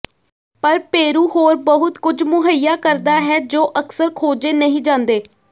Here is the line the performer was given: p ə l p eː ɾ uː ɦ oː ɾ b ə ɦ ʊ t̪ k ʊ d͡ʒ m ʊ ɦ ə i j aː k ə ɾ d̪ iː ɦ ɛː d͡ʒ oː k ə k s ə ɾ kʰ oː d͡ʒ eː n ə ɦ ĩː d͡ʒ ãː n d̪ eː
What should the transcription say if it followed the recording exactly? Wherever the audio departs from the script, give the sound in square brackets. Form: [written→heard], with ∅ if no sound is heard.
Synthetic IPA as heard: p ə [l→ɾ] p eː ɾ uː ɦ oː ɾ b ə ɦ ʊ t̪ k ʊ d͡ʒ m ʊ ɦ ə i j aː k ə ɾ d̪ [iː→aː] ɦ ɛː d͡ʒ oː [k→ʔ] ə k s ə ɾ kʰ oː d͡ʒ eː n ə ɦ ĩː d͡ʒ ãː n d̪ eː

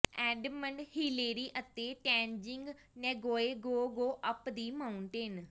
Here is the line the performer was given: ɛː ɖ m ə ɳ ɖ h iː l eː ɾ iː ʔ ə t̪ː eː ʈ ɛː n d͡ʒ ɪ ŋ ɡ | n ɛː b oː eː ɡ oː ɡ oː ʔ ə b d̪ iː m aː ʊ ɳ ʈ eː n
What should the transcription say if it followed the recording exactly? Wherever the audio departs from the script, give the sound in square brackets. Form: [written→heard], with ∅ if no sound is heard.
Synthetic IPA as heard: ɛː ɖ m ə ɳ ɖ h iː l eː ɾ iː ʔ ə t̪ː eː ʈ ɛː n d͡ʒ ɪ ŋ ɡ | n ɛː [b→ɡ] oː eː ɡ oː ɡ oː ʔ ə [b→p] d̪ iː m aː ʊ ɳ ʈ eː n

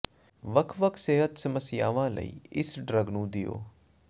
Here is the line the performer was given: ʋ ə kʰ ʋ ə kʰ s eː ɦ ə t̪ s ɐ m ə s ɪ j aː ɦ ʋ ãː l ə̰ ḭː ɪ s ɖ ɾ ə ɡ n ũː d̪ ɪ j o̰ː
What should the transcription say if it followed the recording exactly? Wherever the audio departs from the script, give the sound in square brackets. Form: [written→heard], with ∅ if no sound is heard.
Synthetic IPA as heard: ʋ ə kʰ ʋ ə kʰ s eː ɦ ə t̪ s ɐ m ə s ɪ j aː [ɦ→∅] ʋ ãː l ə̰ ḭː ɪ s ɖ ɾ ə ɡ n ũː d̪ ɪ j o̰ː

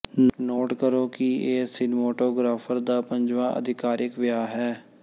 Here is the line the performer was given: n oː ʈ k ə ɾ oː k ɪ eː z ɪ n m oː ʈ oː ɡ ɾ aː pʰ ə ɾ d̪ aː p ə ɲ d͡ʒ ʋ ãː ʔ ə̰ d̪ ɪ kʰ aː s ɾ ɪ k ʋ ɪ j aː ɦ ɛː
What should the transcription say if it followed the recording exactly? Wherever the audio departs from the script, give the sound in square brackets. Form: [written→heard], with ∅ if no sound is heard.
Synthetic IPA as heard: n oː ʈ k ə ɾ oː k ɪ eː [z→s] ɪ n m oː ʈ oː ɡ ɾ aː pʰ ə ɾ d̪ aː p ə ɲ d͡ʒ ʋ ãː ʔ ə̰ d̪ ɪ [kʰ→k] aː [s→∅] ɾ ɪ k ʋ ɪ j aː ɦ ɛː

